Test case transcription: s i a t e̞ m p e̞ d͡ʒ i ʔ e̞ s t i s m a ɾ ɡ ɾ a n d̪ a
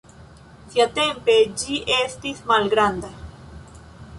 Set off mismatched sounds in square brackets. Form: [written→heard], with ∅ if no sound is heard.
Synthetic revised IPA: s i a t e̞ m p e̞ d͡ʒ i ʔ e̞ s t i s m a [ɾ→l] ɡ ɾ a n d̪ a